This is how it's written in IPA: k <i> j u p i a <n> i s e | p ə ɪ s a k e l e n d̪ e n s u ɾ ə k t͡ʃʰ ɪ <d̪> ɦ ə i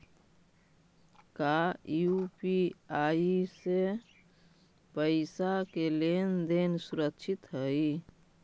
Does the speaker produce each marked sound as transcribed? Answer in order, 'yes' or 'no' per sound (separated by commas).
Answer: no, no, no